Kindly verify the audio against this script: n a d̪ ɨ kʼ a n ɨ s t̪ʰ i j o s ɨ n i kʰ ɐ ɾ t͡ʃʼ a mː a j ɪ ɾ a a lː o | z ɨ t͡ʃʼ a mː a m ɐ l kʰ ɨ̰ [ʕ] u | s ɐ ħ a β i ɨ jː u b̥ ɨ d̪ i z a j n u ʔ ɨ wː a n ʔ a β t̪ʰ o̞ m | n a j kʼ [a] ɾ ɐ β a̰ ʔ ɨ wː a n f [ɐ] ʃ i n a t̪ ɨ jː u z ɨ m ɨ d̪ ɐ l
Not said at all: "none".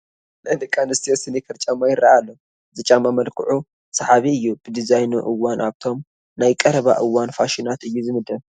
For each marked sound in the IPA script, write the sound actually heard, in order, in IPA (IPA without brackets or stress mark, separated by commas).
ʕ, ɐ, a